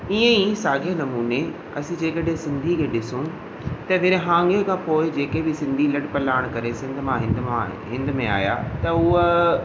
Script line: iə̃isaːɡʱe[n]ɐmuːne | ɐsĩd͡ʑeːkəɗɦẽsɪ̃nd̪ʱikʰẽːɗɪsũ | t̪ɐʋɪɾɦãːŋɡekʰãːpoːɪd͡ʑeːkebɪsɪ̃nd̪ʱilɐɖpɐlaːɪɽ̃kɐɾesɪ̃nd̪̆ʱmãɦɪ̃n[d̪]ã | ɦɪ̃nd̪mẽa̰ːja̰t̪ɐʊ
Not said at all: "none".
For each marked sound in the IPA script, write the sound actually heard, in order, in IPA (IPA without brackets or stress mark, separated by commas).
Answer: n, d̪